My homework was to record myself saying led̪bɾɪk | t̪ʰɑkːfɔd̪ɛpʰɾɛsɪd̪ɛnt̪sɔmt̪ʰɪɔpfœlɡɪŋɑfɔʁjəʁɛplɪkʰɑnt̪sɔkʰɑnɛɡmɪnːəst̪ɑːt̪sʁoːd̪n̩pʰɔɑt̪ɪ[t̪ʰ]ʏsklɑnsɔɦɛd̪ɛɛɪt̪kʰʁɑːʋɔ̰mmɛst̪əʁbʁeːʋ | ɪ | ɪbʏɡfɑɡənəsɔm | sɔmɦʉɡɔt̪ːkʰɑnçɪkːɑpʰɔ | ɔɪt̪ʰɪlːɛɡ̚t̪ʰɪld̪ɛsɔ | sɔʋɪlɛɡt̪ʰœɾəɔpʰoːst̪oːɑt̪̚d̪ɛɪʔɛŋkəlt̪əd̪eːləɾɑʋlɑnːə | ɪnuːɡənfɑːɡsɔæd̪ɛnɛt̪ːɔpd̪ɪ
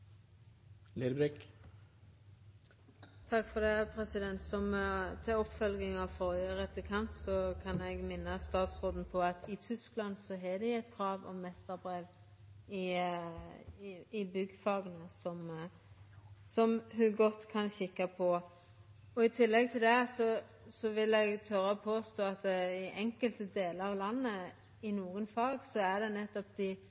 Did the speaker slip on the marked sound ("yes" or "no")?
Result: no